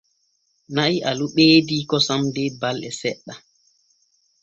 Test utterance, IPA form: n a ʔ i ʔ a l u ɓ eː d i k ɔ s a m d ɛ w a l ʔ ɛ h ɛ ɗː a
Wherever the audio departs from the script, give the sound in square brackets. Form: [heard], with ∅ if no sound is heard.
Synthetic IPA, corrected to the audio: n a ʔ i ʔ a l u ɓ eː d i k ɔ s a m d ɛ [b] a l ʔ ɛ [s] ɛ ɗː a